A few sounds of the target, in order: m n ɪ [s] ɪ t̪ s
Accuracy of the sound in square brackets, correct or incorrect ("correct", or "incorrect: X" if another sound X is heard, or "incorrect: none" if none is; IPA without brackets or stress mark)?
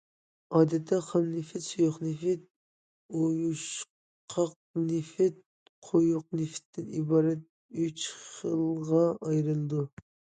incorrect: f